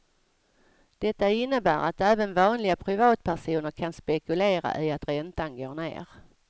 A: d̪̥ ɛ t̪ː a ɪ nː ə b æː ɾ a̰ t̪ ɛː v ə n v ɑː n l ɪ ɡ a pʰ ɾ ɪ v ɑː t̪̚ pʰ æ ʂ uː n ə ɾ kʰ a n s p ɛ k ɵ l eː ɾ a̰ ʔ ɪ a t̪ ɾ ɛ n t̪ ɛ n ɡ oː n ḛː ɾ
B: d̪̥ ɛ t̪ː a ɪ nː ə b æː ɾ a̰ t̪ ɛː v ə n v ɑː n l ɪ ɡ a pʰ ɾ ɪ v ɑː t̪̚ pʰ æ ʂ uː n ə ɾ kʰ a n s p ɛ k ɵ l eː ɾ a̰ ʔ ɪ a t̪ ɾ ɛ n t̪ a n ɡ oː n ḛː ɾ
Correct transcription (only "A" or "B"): B